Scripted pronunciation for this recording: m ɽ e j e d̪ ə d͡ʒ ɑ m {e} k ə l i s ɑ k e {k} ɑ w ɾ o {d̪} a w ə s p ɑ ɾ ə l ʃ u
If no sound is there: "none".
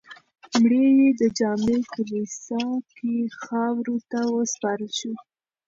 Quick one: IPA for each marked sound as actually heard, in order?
e, x, t̪

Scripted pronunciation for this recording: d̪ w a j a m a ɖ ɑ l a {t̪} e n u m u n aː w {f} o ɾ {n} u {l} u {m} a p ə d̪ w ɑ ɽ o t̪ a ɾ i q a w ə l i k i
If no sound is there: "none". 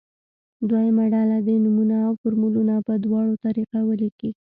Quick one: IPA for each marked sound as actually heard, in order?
d̪, f, m, l, n

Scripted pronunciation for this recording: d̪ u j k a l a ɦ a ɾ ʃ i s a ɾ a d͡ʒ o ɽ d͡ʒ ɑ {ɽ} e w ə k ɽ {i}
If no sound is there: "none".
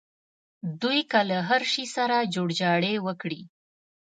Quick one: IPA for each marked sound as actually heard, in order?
ɽ, i

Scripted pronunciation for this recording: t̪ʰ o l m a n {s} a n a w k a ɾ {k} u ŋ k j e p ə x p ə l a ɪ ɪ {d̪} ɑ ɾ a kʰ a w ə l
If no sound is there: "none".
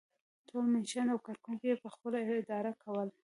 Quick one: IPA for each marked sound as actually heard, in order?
ʃ, k, d̪

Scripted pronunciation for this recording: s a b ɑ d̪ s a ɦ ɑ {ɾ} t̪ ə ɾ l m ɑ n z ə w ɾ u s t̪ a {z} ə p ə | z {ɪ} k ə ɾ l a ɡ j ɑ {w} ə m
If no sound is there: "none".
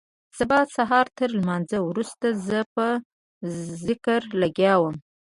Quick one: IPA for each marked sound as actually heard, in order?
ɾ, z, ɪ, w

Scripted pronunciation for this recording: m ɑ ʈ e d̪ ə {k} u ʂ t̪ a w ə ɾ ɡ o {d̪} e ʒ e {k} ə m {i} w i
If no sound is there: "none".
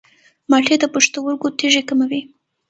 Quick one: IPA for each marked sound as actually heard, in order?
p, t̪, k, a

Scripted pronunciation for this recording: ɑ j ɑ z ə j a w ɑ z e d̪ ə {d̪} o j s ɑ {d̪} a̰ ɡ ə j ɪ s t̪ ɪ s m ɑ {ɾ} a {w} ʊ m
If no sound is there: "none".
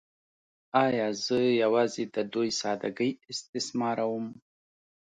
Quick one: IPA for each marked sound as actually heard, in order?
d̪, d̪, ɾ, w

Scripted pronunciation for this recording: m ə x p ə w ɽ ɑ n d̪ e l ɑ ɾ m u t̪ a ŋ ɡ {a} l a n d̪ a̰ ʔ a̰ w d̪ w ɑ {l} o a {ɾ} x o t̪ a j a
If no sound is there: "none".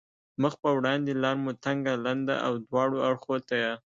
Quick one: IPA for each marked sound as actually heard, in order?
a, ɽ, ɽ

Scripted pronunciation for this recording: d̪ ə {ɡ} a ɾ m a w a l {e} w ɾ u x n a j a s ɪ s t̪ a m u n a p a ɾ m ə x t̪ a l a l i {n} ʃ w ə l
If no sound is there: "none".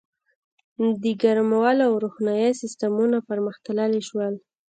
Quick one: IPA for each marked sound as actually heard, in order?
ɡ, a, none

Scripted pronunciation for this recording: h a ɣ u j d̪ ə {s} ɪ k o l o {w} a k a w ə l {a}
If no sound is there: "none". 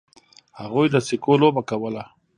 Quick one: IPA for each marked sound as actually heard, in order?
s, b, a

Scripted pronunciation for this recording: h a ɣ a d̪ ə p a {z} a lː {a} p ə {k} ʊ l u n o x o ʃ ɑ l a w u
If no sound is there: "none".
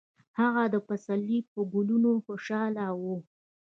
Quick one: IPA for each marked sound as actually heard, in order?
s, i, ɡ

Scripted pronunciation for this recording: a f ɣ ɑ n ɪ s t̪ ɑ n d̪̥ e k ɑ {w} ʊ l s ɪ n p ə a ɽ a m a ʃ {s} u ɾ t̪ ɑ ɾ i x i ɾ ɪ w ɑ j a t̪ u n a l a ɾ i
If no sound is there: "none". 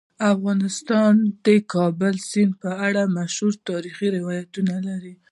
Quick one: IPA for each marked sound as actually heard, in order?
b, h

